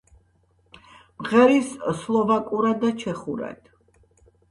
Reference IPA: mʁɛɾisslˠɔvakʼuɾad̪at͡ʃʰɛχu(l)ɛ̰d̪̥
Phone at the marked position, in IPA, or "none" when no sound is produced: ɾ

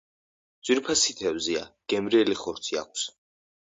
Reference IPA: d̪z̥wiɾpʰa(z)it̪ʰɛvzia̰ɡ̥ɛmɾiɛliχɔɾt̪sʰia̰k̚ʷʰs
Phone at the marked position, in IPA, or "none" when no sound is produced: s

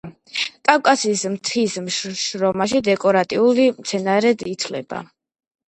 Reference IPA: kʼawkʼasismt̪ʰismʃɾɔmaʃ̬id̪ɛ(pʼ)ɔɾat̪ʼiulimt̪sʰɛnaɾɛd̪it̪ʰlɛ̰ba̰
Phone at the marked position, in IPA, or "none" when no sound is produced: kʼ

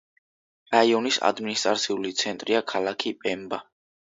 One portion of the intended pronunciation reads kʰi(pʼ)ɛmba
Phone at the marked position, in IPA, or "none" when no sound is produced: pʼ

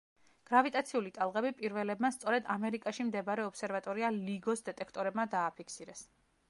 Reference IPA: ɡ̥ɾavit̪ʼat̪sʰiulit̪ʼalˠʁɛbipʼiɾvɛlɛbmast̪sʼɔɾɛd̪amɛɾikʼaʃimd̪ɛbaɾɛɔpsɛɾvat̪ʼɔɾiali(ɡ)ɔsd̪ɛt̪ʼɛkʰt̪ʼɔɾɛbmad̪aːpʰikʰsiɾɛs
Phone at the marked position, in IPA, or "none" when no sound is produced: ɡ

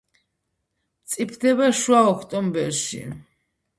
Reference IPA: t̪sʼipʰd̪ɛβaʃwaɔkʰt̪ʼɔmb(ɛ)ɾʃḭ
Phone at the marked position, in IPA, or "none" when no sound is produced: ɛ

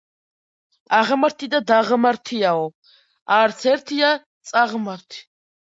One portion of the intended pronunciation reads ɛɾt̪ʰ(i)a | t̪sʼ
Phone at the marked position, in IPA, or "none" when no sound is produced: i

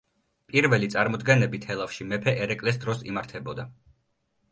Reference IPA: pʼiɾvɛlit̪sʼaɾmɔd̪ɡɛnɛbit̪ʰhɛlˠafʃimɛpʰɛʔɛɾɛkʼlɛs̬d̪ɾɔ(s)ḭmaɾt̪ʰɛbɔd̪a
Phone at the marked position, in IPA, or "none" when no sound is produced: s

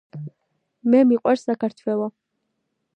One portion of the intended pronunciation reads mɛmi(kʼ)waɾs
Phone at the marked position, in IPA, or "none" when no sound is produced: qʼ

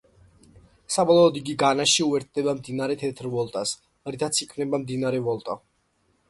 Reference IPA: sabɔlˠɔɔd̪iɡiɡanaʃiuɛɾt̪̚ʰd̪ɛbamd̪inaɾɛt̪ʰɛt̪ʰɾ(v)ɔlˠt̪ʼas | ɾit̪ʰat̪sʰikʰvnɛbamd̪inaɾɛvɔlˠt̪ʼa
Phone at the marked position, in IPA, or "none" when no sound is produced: v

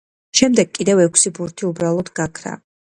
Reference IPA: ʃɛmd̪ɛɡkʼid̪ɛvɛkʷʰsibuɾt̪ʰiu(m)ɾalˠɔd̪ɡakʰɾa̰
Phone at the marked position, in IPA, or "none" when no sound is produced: b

